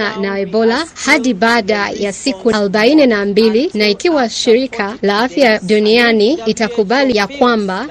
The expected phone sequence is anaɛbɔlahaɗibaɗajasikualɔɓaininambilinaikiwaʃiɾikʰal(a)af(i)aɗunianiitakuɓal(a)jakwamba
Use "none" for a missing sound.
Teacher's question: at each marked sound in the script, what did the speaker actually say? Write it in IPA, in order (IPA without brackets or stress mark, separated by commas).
a, j, i